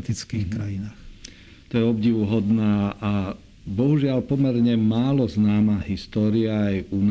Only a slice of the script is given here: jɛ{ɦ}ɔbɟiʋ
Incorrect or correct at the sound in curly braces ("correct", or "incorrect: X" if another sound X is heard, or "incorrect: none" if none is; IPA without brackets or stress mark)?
incorrect: none